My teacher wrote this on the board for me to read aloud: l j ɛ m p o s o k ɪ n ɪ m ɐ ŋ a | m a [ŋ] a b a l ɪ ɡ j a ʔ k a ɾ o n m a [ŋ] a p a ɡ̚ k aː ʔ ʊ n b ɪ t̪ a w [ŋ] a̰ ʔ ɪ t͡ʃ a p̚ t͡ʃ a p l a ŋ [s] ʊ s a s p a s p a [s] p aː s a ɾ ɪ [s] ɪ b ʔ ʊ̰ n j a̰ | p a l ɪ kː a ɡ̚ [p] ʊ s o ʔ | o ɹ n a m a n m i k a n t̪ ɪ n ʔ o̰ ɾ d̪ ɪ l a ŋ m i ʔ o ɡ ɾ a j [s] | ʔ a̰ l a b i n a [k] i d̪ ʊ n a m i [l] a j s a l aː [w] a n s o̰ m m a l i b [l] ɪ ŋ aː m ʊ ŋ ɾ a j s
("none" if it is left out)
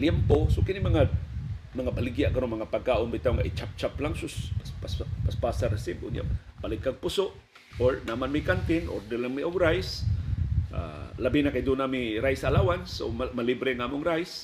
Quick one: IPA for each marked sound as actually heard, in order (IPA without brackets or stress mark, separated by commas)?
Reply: ŋ, ŋ, ŋ, s, s, s, p, s, k, ɾ, w, ɾ